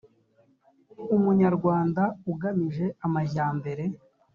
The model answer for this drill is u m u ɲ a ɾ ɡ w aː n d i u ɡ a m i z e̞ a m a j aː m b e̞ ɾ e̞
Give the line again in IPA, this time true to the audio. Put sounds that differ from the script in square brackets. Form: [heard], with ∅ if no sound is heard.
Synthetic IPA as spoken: u m u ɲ a ɾ ɡ w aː n d [a] u ɡ a m i [ʒ] e̞ a m a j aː m b e̞ ɾ e̞